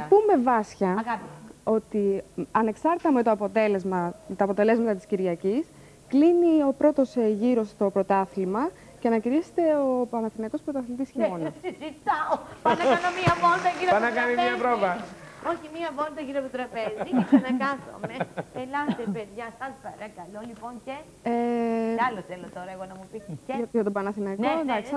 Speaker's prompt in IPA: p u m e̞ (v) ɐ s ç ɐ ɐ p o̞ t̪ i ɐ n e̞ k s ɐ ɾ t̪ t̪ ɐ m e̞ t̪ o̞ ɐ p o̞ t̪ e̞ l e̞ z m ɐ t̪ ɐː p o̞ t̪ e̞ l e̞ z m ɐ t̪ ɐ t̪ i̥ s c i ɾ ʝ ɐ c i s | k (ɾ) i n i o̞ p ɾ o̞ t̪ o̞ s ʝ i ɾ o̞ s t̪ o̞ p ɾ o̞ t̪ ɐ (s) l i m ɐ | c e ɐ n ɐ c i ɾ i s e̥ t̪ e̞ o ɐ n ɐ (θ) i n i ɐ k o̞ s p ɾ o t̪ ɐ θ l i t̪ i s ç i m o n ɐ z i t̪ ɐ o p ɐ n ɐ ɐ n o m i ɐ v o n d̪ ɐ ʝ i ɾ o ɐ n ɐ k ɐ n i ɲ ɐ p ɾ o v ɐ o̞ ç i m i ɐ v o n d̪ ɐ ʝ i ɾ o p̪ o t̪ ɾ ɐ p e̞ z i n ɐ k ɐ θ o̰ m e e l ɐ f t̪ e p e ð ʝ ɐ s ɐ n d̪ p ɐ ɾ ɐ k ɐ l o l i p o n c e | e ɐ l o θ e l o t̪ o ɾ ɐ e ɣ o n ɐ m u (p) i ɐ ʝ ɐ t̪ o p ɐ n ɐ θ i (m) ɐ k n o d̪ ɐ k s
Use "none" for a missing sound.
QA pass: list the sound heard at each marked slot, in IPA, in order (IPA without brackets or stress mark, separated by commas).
v, l, θ, θ, p, n